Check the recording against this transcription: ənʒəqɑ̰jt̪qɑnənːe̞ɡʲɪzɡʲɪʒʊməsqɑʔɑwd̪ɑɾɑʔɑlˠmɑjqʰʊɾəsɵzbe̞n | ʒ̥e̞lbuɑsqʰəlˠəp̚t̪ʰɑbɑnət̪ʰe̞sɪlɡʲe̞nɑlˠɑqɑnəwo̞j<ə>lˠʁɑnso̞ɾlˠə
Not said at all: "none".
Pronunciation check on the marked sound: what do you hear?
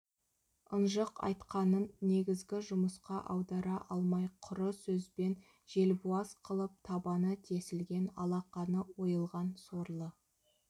ə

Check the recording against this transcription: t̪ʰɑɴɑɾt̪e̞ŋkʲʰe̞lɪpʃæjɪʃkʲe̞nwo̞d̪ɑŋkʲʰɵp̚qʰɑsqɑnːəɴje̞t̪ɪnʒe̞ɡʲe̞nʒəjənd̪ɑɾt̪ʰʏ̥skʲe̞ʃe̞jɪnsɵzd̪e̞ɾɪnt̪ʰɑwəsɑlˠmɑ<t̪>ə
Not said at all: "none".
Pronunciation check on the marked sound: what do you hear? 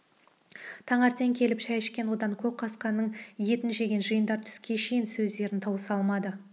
d̪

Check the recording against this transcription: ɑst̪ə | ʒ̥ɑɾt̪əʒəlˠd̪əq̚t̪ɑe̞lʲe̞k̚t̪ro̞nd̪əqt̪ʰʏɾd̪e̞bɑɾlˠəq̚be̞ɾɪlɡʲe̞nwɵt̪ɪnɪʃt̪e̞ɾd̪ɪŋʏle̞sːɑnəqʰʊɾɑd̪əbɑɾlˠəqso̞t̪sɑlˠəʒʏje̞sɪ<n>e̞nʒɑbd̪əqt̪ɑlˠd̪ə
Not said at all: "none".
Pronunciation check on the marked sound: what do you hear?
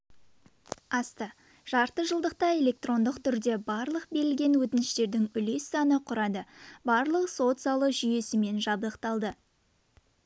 m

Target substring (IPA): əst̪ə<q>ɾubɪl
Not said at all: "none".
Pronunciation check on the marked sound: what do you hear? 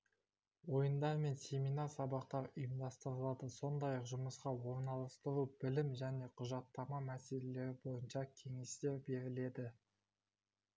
none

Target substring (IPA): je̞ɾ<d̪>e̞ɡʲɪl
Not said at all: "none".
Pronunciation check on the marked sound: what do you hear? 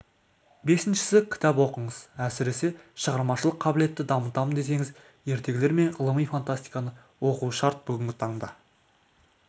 t̪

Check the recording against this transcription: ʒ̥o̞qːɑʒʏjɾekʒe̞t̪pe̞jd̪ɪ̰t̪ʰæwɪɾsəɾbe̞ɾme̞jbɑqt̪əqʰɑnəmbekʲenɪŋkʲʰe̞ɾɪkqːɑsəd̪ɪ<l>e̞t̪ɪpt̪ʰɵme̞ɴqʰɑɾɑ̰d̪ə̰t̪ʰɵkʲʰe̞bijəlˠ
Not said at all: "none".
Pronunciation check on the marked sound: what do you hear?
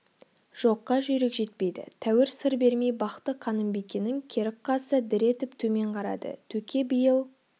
ɾ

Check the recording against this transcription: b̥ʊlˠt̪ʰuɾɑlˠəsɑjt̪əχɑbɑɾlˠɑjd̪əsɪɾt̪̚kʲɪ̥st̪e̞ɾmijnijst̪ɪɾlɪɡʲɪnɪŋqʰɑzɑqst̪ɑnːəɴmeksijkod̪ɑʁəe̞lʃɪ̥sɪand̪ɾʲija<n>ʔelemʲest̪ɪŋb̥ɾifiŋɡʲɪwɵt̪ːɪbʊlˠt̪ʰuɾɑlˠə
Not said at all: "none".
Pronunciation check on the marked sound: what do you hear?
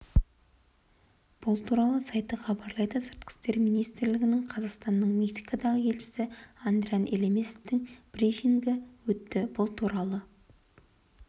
n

